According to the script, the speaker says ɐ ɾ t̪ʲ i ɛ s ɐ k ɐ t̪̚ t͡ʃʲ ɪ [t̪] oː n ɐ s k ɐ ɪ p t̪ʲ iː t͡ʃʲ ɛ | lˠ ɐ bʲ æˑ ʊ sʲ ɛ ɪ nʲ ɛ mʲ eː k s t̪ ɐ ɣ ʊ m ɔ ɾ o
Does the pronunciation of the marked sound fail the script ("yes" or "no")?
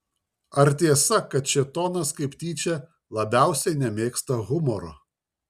no